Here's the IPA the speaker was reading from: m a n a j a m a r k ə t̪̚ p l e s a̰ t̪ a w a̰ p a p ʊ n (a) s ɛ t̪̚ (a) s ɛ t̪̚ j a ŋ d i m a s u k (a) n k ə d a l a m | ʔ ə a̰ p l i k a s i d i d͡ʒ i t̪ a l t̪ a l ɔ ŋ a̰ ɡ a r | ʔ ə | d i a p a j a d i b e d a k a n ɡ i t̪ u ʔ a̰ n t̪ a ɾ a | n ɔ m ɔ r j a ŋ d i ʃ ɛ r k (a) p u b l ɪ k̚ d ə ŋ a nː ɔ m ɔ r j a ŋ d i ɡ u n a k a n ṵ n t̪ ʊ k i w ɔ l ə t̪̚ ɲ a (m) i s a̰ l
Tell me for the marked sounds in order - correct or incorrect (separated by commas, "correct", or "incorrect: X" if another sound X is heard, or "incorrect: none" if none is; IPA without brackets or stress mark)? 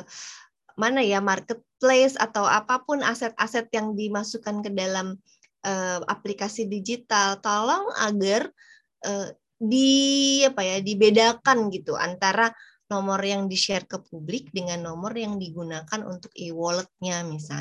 correct, correct, correct, incorrect: ə, correct